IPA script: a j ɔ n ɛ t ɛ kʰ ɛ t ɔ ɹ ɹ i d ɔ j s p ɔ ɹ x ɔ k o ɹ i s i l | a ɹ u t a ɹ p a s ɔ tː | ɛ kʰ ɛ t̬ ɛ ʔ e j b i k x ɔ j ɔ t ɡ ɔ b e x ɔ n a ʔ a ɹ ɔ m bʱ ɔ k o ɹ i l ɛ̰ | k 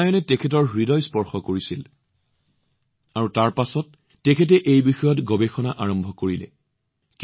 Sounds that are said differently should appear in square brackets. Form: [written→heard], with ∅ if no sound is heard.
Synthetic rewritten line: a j ɔ n ɛ t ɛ kʰ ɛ t ɔ ɹ ɹ i d ɔ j s p ɔ ɹ x ɔ k o ɹ i s i l | a ɹ u t a ɹ p a s ɔ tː | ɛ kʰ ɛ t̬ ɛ ʔ e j b i [k→∅] x ɔ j ɔ t ɡ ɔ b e x ɔ n a ʔ a ɹ ɔ m bʱ ɔ k o ɹ i l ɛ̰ | k